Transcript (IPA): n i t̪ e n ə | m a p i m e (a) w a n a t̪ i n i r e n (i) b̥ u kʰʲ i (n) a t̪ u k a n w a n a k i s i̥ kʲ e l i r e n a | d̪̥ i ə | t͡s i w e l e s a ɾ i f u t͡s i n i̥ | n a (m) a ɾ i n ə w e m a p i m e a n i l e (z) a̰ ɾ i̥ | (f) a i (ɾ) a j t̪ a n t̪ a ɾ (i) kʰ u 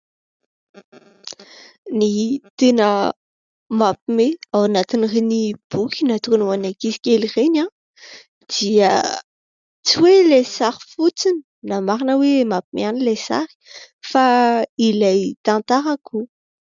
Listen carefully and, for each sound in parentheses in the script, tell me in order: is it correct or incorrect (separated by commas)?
correct, correct, correct, correct, incorrect, correct, incorrect, incorrect